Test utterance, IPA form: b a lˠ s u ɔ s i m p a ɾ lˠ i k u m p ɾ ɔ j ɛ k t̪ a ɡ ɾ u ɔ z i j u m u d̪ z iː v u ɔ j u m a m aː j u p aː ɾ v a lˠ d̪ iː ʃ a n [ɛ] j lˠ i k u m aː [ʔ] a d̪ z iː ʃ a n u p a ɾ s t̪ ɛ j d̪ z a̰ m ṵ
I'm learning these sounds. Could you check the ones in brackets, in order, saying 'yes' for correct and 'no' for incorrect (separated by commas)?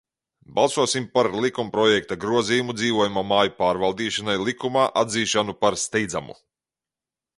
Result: no, yes